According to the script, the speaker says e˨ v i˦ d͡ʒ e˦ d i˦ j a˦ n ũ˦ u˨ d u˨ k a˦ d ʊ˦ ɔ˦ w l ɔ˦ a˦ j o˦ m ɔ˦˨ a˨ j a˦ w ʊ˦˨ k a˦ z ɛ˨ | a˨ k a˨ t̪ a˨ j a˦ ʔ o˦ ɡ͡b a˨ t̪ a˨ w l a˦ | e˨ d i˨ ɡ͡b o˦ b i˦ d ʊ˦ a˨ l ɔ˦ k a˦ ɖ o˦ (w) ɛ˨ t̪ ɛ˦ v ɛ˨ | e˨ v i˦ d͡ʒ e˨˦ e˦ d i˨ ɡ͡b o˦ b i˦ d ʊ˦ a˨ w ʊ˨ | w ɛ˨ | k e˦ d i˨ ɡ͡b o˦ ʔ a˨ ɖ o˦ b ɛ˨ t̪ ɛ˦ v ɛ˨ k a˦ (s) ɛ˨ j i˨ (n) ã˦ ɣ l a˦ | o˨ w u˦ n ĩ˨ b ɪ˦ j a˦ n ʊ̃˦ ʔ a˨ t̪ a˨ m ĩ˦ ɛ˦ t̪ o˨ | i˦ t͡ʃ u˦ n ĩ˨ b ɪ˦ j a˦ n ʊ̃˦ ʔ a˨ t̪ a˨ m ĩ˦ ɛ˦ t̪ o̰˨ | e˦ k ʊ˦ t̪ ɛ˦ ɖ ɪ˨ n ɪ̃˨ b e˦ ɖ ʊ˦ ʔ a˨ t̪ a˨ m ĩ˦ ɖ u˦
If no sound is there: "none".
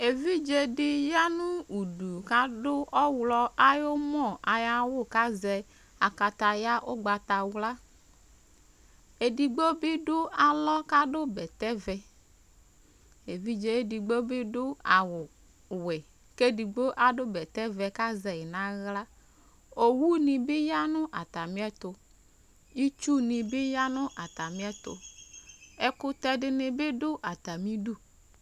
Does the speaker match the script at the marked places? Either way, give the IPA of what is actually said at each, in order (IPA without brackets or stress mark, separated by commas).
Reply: b, z, n